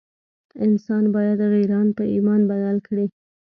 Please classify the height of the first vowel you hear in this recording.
high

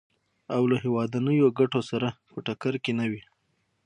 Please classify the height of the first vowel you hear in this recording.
low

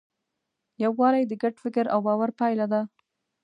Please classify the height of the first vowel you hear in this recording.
low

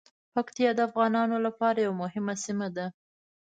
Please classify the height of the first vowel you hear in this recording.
low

